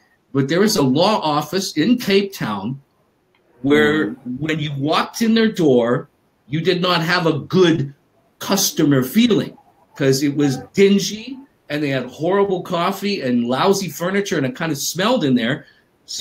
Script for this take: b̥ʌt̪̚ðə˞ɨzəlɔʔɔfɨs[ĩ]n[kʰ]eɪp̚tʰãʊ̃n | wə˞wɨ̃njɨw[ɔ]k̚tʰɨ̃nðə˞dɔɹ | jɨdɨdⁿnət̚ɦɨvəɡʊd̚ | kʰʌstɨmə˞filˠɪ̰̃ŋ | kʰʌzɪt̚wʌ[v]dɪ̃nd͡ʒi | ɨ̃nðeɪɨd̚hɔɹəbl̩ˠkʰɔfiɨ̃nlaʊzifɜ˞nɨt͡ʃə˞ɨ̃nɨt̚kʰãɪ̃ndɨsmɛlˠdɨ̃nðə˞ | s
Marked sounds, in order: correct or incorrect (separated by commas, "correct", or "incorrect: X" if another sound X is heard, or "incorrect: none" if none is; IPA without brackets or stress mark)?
incorrect: ɪ̃, correct, correct, incorrect: z